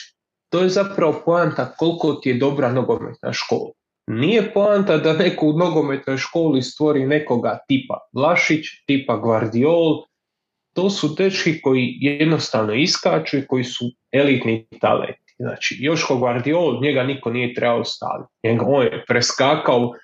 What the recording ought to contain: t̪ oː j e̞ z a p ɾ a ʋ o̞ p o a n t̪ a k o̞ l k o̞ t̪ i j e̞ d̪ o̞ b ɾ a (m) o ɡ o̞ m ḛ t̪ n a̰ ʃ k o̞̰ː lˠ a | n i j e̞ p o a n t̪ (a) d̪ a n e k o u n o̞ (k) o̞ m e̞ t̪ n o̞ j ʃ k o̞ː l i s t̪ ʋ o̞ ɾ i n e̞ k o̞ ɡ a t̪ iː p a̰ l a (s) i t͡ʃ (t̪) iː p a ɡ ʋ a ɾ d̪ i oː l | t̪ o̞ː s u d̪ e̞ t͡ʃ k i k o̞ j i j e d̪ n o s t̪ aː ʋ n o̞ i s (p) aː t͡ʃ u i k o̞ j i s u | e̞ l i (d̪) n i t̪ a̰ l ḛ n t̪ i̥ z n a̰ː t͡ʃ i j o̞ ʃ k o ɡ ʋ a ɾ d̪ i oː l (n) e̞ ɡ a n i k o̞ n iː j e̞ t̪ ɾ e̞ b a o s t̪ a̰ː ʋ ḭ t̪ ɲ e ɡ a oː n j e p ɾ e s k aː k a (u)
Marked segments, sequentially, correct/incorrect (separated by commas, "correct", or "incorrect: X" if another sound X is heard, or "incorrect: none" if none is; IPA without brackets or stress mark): incorrect: n, correct, incorrect: ɡ, incorrect: ʃ, correct, incorrect: k, incorrect: t̪, incorrect: ɲ, incorrect: o